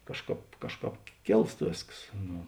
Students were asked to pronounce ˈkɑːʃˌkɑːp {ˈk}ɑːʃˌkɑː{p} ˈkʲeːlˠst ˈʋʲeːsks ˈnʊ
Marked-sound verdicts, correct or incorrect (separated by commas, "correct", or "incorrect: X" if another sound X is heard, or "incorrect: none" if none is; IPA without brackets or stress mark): correct, correct